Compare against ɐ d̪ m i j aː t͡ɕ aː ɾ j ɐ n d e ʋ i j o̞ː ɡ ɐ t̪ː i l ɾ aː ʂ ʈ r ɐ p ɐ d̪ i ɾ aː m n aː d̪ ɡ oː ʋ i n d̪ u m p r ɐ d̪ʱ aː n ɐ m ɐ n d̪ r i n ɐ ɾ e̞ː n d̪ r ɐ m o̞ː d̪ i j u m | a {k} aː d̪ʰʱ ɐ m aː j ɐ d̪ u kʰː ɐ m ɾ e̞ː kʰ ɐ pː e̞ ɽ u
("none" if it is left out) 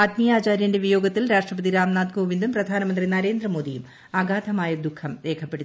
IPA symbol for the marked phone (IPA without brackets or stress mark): ɡ